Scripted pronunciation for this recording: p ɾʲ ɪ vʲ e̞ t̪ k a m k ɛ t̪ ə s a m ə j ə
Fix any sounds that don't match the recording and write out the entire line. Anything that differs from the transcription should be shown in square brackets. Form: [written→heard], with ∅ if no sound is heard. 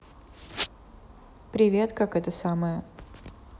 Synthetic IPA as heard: p ɾʲ ɪ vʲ e̞ t̪ k a [m→∅] k ɛ t̪ ə s a m ə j ə